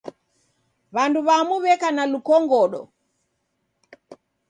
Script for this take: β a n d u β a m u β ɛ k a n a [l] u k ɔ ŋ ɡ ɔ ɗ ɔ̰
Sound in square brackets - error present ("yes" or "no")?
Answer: no